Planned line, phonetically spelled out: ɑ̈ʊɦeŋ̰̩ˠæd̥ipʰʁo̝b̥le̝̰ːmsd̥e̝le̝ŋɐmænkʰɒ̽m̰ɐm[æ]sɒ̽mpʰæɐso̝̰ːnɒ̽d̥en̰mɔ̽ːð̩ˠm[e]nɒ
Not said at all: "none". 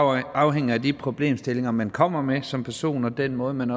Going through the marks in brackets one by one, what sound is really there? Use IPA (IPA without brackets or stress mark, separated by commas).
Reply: e, æ